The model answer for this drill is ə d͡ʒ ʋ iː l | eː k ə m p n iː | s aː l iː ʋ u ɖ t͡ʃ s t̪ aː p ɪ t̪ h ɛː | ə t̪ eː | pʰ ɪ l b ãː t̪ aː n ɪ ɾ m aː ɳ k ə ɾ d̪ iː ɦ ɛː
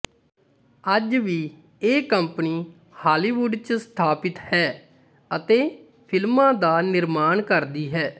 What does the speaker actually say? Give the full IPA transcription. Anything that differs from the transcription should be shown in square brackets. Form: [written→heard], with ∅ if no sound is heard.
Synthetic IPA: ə d͡ʒ ʋ iː [l→∅] | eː k ə m p n iː | [s→h] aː l iː ʋ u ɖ t͡ʃ s [t̪→t̪ʰ] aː p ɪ t̪ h ɛː | ə t̪ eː | pʰ ɪ l [b→m] ãː [t̪→d̪] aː n ɪ ɾ m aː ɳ k ə ɾ d̪ iː ɦ ɛː